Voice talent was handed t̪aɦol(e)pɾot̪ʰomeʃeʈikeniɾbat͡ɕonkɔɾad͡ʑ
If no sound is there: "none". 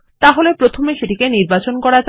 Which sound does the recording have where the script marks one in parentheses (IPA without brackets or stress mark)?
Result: e